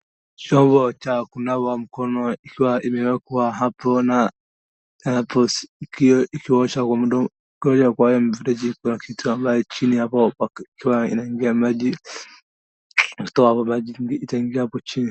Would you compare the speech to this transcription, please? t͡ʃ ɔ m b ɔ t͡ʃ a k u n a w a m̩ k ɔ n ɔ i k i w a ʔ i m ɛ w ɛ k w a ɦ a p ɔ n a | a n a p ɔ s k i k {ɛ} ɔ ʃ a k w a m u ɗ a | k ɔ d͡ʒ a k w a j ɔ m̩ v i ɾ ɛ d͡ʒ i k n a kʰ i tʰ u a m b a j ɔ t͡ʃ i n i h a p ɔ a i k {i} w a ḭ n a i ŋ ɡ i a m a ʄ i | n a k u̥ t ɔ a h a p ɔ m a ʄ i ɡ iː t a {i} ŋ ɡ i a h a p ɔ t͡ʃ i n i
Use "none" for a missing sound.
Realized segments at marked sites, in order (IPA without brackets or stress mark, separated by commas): i, i, i